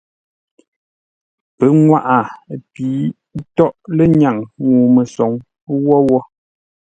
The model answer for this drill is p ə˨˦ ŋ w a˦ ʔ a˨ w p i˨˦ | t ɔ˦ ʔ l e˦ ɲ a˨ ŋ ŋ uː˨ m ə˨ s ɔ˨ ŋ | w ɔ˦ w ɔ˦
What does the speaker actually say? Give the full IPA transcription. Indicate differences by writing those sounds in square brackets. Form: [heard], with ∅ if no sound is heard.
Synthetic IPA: p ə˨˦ ŋ w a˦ ʔ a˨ [∅] p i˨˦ | t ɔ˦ ʔ l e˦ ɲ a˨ ŋ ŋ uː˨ m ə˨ s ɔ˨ ŋ | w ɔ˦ w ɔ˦